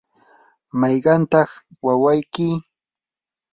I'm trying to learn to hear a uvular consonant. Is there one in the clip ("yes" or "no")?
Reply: yes